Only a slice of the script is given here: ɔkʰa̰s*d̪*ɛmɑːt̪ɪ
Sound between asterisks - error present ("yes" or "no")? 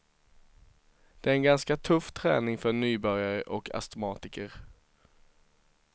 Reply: yes